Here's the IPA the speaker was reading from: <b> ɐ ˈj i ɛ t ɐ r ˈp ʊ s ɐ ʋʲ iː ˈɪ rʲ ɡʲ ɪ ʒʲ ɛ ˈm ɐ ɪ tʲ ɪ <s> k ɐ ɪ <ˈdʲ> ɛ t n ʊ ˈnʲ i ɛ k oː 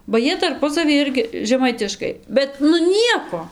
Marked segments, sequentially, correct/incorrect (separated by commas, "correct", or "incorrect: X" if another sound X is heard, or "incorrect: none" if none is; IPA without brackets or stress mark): correct, incorrect: ʃ, incorrect: bʲ